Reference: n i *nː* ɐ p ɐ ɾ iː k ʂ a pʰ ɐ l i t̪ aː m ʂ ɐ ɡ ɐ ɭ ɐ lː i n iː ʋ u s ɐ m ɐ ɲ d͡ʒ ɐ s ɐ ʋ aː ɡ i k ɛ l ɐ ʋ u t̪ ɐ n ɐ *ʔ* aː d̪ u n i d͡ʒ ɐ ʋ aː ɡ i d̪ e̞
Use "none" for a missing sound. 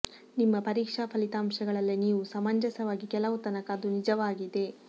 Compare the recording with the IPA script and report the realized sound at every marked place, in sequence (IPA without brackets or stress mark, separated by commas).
mː, k